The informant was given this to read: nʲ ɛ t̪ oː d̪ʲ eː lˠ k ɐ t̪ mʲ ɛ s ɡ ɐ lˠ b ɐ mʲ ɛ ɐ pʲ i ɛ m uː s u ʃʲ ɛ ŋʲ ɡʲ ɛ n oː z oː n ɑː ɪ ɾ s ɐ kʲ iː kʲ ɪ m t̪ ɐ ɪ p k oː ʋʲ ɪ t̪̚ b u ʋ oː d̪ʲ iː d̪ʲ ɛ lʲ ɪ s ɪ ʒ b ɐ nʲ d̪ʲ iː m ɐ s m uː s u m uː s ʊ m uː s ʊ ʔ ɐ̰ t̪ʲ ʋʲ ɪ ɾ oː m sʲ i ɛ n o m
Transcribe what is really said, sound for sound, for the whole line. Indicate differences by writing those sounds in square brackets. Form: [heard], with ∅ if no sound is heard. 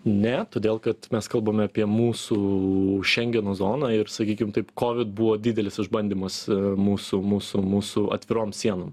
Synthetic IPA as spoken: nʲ ɛ t̪ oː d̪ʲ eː lˠ k ɐ t̪ mʲ ɛ s [k] ɐ lˠ b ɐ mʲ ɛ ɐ pʲ i ɛ m uː s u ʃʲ ɛ ŋʲ ɡʲ ɛ n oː z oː n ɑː ɪ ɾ s ɐ kʲ iː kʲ ɪ m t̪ ɐ ɪ p k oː ʋʲ ɪ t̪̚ b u ʋ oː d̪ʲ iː d̪ʲ ɛ lʲ ɪ s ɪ ʒ b ɐ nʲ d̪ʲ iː m ɐ s m uː s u m uː s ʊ m uː s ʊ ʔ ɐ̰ t̪ʲ ʋʲ ɪ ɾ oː m sʲ i ɛ n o m